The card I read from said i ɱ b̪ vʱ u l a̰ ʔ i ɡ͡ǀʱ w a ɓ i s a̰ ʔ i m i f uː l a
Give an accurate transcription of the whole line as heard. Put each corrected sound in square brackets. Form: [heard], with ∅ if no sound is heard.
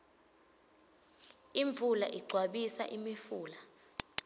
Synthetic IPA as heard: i ɱ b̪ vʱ u l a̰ ʔ i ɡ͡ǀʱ w a ɓ i s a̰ ʔ i m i f uː l a